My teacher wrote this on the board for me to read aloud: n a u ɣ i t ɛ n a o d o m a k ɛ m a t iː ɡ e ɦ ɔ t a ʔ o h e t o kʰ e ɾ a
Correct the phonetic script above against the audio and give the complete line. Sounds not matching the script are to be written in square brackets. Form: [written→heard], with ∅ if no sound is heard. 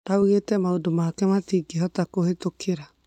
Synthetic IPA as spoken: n a u ɣ [i→e] t ɛ [n→m] a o d o m a k ɛ m a t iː ɡ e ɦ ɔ t a [ʔ→k] o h e t o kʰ e ɾ a